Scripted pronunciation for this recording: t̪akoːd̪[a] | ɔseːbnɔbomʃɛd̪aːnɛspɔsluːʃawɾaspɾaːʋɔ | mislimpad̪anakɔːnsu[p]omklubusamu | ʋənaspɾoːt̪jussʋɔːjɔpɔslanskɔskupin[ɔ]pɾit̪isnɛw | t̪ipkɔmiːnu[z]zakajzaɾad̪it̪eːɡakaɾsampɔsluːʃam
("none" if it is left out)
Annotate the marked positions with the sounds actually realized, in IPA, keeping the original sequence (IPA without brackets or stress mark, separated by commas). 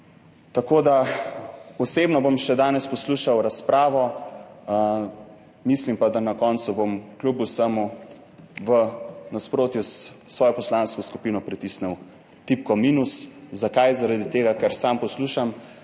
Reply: a, b, ɔ, s